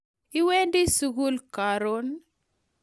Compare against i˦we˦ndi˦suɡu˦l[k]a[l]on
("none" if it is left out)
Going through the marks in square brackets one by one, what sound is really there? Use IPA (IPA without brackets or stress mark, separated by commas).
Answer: k, ɾ